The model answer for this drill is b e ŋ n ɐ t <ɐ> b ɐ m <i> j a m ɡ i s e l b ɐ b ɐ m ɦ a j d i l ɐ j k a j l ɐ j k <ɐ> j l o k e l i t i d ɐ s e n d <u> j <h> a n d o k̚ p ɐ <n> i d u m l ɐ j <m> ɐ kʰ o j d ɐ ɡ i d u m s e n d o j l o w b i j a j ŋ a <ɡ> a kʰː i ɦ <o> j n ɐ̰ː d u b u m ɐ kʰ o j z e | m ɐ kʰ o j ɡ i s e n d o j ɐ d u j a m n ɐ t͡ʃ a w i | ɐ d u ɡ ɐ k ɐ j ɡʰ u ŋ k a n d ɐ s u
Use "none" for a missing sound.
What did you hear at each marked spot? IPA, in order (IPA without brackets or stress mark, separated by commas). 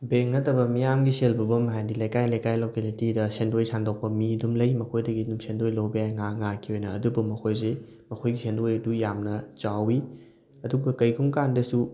ɐ, i, a, o, s, m, m, ŋ, o